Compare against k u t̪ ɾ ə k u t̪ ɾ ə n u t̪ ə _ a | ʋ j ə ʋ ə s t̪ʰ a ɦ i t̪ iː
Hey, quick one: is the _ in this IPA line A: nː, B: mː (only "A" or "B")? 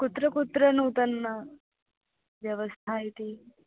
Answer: A